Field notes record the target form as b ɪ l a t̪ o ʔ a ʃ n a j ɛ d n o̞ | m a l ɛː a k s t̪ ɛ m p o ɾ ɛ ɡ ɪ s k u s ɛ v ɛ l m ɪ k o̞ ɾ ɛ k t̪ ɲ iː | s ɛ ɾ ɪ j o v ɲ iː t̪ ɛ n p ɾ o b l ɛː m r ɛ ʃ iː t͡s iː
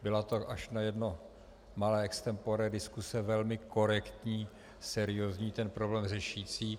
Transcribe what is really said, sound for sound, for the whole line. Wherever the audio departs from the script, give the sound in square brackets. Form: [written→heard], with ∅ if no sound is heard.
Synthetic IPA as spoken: b ɪ l a t̪ o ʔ a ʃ n a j ɛ d n o̞ | m a l ɛː [a→ɛ] k s t̪ ɛ m p o ɾ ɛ [ɡ→d] ɪ s k u s ɛ v ɛ l m ɪ k o̞ ɾ ɛ k t̪ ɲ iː | s ɛ ɾ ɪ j o [v→z] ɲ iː t̪ ɛ n p ɾ o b l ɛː m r ɛ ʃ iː t͡s iː

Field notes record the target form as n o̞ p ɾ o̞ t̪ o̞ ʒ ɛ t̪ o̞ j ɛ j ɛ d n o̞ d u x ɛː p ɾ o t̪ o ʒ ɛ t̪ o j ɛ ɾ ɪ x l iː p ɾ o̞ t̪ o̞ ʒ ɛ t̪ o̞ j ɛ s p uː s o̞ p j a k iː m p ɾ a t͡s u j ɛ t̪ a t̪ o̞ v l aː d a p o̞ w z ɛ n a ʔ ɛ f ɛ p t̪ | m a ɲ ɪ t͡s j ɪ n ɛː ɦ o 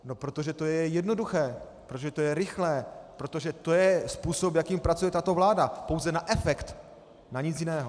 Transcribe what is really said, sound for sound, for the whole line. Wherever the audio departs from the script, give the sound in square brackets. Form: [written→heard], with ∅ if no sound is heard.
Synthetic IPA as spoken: n o̞ p ɾ o̞ t̪ o̞ ʒ ɛ t̪ o̞ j ɛ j ɛ d n o̞ d u x ɛː p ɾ o t̪ o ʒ ɛ t̪ o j ɛ ɾ ɪ x l [iː→ɛː] p ɾ o̞ t̪ o̞ ʒ ɛ t̪ o̞ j ɛ s p uː s o̞ p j a k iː m p ɾ a t͡s u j ɛ t̪ a t̪ o̞ v l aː d a p o̞ w z ɛ n a ʔ ɛ f ɛ [p→k] t̪ | [m→n] a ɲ ɪ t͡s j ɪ n ɛː ɦ o

